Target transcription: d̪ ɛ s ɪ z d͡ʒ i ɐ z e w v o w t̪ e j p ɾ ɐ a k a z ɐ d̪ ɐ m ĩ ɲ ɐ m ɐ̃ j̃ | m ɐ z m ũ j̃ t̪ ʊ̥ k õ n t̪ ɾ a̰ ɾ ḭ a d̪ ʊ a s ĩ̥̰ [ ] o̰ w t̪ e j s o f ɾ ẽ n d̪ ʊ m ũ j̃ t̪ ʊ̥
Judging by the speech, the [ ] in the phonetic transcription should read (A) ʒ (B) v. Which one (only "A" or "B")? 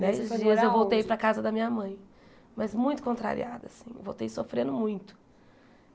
B